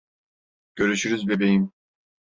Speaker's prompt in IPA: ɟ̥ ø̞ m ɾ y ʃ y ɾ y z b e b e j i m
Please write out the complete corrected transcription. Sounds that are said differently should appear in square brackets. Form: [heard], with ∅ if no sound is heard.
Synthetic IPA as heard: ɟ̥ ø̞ [∅] ɾ y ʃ y ɾ y z b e b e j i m